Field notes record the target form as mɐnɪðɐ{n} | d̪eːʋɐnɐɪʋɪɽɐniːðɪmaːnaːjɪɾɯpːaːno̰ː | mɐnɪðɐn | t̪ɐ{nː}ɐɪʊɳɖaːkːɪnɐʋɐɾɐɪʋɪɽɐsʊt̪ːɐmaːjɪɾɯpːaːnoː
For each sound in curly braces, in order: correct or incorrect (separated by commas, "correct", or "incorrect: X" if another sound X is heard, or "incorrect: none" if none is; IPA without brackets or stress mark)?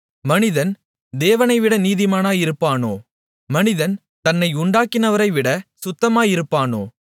correct, correct